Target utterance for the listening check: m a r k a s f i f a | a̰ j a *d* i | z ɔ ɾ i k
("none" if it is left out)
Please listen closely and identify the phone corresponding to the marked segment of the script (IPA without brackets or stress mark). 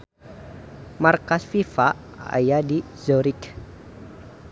d